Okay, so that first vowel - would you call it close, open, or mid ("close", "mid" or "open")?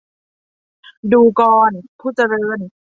close